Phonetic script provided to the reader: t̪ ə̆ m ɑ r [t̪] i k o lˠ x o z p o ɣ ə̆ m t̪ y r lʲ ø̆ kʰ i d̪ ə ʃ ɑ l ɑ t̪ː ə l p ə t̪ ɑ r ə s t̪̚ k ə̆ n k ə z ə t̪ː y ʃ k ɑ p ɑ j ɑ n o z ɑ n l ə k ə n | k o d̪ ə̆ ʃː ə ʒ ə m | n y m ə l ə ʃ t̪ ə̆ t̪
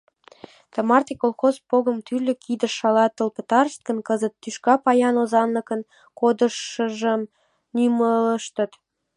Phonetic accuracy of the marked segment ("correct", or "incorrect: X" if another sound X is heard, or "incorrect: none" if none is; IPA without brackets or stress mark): correct